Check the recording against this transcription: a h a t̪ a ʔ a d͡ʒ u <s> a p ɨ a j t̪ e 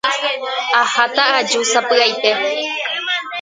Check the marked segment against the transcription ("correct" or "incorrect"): correct